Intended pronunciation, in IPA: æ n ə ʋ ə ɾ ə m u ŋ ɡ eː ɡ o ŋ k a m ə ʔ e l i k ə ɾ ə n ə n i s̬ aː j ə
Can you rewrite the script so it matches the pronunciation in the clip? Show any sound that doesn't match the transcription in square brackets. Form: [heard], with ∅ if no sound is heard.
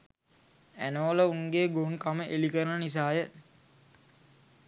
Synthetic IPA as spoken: æ n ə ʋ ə [l] ə [∅] u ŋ ɡ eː ɡ o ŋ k a m ə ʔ e l i k ə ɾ ə n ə n i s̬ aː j ə

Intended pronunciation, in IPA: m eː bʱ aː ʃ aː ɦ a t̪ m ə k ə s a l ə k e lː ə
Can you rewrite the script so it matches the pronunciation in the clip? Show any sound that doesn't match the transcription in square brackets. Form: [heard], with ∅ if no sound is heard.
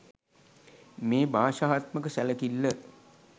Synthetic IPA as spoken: m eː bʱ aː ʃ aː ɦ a t̪ m ə k ə s [æ] l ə k [i] lː ə

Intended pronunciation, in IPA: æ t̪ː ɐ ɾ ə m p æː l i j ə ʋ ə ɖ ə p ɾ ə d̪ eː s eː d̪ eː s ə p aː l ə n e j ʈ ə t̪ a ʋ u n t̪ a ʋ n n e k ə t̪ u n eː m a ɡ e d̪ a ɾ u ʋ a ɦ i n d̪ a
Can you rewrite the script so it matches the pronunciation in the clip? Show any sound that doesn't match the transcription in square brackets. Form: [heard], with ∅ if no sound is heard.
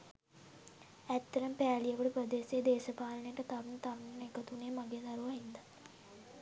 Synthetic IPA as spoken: æ t̪ː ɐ ɾ ə m p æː l i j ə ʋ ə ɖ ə p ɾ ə d̪ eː s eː d̪ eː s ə p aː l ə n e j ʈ ə t̪ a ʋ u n t̪ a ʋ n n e k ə t̪ u n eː m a ɡ e d̪ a ɾ u ʋ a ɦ i n d̪ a

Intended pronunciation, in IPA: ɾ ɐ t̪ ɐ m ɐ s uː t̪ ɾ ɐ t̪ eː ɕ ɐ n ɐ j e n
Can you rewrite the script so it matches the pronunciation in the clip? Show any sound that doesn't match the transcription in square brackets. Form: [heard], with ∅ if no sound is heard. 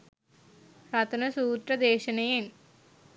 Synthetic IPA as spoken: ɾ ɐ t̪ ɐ [n] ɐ s uː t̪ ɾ ɐ [d̪] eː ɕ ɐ n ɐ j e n

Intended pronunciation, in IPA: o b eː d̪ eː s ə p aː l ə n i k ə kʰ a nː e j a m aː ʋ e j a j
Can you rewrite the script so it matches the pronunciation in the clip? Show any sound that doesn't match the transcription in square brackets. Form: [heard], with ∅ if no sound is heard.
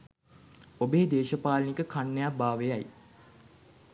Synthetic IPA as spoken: o b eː d̪ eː [ʃ] ə p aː l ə n i k ə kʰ a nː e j a [b] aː ʋ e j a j

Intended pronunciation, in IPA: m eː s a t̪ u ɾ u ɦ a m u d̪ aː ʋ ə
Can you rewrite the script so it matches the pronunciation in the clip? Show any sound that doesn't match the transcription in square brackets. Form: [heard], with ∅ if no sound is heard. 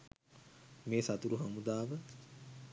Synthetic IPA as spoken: m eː s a t̪ u ɾ u ɦ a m u d̪ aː ʋ ə

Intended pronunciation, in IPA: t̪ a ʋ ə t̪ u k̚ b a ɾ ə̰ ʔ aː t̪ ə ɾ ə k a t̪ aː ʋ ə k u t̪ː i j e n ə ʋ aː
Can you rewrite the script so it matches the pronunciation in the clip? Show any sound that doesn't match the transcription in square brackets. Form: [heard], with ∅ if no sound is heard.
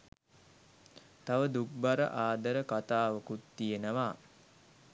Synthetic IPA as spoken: t̪ a ʋ ə [d̪] u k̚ b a ɾ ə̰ ʔ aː [d̪] ə ɾ ə k a t̪ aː ʋ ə k u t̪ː i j e n ə ʋ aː

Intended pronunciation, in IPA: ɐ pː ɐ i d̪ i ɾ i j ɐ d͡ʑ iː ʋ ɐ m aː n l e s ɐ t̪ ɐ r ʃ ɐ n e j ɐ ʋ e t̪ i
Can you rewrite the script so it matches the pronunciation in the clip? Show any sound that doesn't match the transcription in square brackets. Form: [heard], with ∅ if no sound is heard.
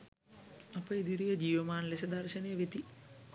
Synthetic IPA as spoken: ɐ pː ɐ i d̪ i ɾ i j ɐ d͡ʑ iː ʋ ɐ m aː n l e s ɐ [d̪] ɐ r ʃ ɐ n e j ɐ ʋ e t̪ i

